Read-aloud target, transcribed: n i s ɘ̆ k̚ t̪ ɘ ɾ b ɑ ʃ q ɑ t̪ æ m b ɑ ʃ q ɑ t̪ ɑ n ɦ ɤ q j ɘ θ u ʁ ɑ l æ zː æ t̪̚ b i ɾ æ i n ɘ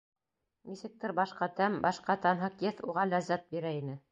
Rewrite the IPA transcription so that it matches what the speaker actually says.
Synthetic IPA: n i s ɘ̆ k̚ t̪ ɘ ɾ b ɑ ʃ q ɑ t̪ æ m b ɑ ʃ q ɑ t̪ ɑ n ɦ ɤ q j ɘ θ u ʁ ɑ l æ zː æ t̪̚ b i ɾ æ i n ɘ

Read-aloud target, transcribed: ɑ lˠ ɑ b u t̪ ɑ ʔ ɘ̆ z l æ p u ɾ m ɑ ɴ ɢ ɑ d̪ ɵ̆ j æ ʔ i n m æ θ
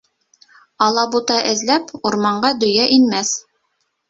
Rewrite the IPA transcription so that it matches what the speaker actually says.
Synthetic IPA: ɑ lˠ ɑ b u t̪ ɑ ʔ ɘ̆ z l æ p u ɾ m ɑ ɴ ɢ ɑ d̪ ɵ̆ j æ ʔ i n m æ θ

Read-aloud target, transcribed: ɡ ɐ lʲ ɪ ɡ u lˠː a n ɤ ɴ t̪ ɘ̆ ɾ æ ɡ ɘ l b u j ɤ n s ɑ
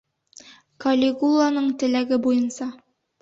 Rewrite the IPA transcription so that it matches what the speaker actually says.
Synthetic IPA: k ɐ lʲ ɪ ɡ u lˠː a n ɤ ɴ t̪ ɘ̆ l æ ɡ ɘ b u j ɤ n s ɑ

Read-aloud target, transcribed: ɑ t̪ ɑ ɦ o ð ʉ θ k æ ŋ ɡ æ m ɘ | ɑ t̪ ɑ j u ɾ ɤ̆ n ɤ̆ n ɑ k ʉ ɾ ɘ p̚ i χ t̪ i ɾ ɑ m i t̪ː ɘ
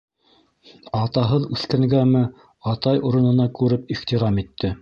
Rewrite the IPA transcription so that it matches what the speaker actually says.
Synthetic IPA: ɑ t̪ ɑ ɦ ɤ ð ʉ θ k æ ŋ ɡ æ m ɘ | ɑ t̪ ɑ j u ɾ ɤ̆ n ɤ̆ n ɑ k ʉ ɾ ɘ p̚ i χ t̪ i ɾ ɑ m i t̪ː ɘ

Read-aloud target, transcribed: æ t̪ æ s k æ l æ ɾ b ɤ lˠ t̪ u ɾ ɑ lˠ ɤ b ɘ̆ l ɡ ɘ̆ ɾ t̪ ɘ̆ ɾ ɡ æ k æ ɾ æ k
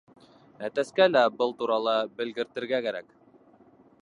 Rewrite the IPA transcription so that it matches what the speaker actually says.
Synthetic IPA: æ t̪ æ s k æ l æ b ɤ lˠ t̪ u ɾ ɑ lˠ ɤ b ɘ̆ l ɡ ɘ̆ ɾ t̪ ɘ̆ ɾ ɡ æ k æ ɾ æ k

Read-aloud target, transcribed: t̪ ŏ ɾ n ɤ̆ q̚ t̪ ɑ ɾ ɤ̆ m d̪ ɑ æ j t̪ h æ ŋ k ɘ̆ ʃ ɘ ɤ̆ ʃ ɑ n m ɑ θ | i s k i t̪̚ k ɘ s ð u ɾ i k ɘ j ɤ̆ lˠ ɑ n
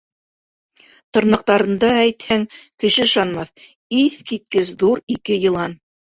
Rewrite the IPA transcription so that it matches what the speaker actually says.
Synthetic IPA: t̪ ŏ ɾ n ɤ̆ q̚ t̪ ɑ ɾ ɤ̆ n d̪ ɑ æ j t̪ h æ ŋ k ɘ̆ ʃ ɘ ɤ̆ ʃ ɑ n m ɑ θ | i θ k i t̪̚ k ɘ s ð u ɾ i k ɘ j ɤ̆ lˠ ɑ n

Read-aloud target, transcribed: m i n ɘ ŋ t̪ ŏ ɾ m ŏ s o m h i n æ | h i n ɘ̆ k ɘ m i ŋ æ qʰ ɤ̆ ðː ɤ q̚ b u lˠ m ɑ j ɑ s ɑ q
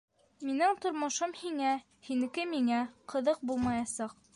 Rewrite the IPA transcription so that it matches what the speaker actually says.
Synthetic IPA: m i n ɘ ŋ t̪ ŏ ɾ m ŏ ʃ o m h i ŋ æ | h i n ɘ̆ k ɘ m i ŋ æ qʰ ɤ̆ ð ɤ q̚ b u lˠ m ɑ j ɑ s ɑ q

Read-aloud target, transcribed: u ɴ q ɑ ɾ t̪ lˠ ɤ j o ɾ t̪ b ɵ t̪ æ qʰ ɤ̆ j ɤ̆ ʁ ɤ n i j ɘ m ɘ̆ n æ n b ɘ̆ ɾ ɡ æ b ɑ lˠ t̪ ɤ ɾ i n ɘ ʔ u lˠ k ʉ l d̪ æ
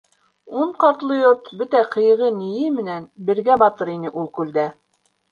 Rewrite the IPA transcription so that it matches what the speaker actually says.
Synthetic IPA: u ɴ q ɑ ɾ t̪ lˠ ɤ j o ɾ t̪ b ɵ t̪ æ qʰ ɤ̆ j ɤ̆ ʁ ɤ n i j ɘ m ɘ̆ n æ n b ɘ̆ ɾ ɡ æ b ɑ t̪ ɤ ɾ i n ɘ ʔ u lˠ k ʉ l d̪ æ

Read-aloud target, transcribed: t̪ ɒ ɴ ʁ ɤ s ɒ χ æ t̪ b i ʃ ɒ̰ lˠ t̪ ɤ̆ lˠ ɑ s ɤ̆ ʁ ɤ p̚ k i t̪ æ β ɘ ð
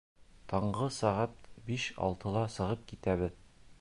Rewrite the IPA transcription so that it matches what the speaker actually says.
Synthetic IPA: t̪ ɒ ɴ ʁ ɤ s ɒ ʁ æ t̪ b i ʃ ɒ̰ lˠ t̪ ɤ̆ lˠ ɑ s ɤ̆ ʁ ɤ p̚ k i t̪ æ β ɘ ð

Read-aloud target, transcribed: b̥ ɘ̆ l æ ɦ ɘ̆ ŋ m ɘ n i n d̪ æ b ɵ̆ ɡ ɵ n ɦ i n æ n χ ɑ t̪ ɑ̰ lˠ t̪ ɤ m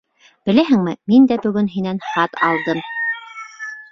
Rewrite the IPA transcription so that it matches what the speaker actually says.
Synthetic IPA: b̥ ɘ̆ l æ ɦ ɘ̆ ŋ m ɘ m i n d̪ æ b ɵ̆ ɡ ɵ n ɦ i n æ n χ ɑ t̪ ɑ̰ lˠ d̪ ɤ m

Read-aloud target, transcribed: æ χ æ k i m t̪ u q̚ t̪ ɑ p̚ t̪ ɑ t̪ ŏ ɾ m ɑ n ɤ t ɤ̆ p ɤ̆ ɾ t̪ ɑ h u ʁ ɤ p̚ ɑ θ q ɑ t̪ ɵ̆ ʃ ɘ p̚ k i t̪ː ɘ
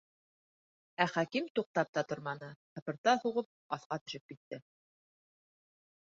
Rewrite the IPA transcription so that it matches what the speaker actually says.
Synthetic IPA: æ χ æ k i m t̪ u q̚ t̪ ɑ p̚ t̪ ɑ t̪ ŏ ɾ m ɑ n ɤ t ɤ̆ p ɤ̆ ɾ t̪ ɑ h u ʁ ɤ p̚ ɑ θ q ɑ t̪ ɵ̆ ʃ ɘ p̚ k i t̪ː ɘ

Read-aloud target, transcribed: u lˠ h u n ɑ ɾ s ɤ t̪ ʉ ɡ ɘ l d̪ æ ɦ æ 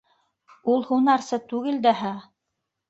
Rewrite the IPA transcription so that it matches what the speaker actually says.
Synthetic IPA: u lˠ h u n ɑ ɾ s ɤ t̪ ʉ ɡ ɘ l d̪ æ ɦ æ

